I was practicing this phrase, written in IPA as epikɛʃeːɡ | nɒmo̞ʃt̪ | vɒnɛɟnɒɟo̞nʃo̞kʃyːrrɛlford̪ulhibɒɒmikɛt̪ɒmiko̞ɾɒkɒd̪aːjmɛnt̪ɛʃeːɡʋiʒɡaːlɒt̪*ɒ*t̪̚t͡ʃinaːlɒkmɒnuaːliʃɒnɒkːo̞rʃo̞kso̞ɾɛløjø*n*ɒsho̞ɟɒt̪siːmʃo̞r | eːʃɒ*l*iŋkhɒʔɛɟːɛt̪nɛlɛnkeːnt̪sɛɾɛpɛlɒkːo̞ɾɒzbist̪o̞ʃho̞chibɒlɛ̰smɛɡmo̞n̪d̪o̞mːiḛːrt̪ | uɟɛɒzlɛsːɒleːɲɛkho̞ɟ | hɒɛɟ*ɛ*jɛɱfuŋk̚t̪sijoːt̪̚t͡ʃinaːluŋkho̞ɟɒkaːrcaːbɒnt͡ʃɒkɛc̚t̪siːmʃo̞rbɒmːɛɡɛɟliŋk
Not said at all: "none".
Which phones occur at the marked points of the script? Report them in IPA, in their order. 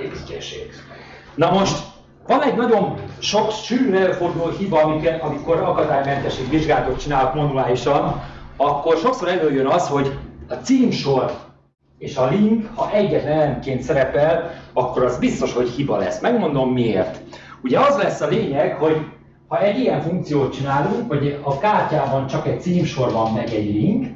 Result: o, n, l, i

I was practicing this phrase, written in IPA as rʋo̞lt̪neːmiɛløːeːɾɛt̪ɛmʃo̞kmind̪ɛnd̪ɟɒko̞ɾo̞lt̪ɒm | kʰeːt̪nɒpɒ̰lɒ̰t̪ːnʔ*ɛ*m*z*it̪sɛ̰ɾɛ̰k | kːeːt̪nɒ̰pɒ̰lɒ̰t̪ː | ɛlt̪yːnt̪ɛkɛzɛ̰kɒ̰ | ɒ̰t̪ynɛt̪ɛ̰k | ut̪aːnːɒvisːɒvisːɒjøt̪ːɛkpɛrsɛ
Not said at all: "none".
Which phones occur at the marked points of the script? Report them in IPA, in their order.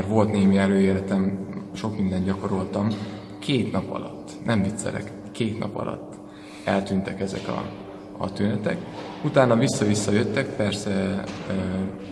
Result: ɛ, v

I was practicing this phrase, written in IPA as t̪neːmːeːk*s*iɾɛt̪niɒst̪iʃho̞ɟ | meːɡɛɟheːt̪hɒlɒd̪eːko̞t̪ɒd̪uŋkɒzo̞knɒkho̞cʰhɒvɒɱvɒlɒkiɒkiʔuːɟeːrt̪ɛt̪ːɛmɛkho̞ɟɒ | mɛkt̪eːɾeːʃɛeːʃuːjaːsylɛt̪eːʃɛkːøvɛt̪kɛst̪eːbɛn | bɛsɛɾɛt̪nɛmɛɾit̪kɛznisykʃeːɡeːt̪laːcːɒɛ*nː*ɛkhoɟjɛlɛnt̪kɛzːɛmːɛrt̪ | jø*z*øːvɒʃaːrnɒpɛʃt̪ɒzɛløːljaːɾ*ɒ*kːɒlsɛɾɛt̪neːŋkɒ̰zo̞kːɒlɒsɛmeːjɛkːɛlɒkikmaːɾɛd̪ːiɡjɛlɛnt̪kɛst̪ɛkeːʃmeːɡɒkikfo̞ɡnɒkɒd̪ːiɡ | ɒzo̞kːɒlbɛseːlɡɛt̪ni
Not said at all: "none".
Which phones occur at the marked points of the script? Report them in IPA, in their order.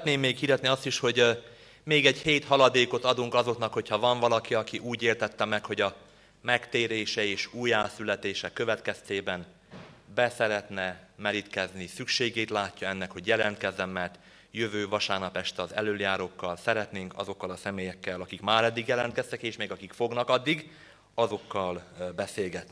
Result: h, nː, v, o

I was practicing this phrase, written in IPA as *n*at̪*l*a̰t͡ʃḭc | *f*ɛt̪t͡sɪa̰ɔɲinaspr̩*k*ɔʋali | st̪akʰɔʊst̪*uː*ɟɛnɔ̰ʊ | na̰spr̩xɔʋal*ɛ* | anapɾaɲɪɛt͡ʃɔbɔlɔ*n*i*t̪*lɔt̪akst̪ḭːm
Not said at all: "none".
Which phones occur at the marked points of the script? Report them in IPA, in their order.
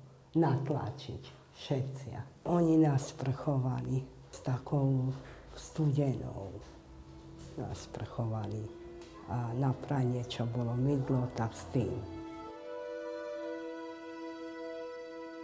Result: n, l, ʃ, x, u, i, m, d̪

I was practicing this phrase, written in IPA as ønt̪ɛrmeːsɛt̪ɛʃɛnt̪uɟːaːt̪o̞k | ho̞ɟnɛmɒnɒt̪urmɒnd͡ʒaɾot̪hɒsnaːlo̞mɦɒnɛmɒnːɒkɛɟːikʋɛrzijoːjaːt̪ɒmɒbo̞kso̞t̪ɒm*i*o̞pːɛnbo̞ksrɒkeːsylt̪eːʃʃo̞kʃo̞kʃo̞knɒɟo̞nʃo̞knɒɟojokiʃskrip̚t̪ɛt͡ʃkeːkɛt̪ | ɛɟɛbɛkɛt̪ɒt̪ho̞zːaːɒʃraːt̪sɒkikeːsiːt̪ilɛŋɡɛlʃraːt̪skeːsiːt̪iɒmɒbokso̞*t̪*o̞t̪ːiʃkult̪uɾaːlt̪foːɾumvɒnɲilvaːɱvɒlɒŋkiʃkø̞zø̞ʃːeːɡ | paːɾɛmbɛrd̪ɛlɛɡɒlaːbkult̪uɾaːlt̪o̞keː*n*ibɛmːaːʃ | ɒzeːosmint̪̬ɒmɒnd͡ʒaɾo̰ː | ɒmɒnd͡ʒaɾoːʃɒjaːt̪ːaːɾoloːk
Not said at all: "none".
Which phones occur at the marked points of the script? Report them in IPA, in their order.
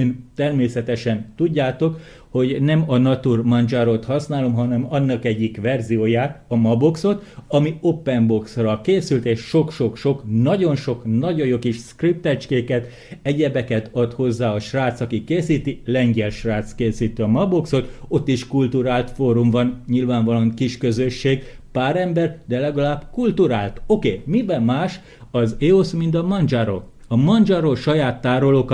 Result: i, t̪, m

